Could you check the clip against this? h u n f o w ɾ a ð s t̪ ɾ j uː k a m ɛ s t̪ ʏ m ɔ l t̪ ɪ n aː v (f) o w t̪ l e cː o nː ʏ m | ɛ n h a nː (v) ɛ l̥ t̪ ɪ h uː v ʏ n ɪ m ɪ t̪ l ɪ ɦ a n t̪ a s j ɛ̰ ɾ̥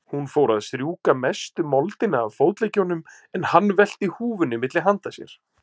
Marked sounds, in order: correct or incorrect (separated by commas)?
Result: correct, correct